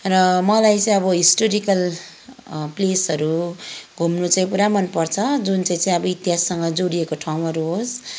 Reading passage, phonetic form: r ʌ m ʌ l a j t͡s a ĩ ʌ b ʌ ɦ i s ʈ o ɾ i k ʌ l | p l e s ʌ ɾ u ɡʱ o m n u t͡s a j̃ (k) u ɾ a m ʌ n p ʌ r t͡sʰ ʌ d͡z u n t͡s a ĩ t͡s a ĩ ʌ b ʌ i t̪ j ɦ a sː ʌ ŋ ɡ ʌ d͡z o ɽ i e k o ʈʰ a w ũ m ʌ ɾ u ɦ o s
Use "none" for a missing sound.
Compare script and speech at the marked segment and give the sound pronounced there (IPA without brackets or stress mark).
p